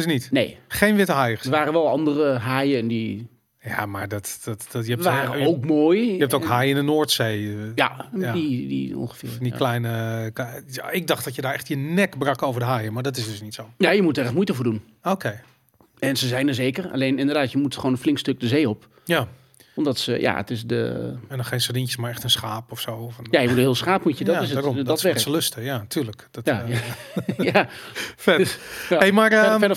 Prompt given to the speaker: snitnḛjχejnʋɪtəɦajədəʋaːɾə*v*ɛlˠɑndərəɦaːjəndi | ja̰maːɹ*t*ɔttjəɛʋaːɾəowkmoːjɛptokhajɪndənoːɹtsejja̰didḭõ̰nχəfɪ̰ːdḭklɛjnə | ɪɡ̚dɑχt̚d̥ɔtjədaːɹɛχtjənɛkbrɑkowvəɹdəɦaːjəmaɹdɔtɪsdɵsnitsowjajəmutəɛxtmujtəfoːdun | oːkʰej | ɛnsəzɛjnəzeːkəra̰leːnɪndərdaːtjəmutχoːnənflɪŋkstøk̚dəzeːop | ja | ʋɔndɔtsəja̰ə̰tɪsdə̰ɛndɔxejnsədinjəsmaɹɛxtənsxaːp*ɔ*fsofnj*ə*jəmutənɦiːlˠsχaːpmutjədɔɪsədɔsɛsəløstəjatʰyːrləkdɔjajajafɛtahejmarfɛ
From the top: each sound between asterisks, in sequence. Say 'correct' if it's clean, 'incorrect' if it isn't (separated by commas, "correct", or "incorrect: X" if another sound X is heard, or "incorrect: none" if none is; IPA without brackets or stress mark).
incorrect: ʋ, incorrect: d, correct, incorrect: a